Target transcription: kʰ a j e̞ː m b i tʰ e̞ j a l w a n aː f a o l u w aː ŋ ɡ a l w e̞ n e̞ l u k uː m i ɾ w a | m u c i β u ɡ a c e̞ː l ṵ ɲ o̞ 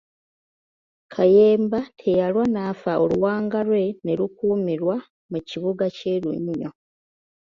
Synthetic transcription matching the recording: kʰ a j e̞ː m b a tʰ e̞ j a l w a n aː f a o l u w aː ŋ ɡ a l w e̞ n e̞ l u k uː m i ɾ w a | m u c i β u ɡ a c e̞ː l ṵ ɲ o̞